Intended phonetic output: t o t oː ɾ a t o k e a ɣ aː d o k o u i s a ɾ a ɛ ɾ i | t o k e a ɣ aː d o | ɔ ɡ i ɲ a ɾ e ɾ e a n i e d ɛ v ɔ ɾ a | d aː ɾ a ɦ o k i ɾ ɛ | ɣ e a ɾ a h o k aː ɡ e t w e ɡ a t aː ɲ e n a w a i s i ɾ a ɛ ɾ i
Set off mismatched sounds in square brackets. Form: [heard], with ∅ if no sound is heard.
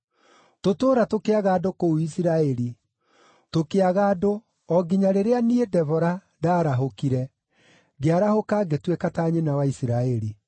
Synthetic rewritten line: t o t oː ɾ a t o k e a ɣ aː d o k o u i s [i] ɾ a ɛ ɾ i | t o k e a ɣ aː d o | ɔ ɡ i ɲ a ɾ e ɾ e a n i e d ɛ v ɔ ɾ a | d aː ɾ a ɦ o k i ɾ ɛ | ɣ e a ɾ a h o k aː ɡ e t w e [k] a t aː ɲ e n a w a i s i ɾ a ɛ ɾ i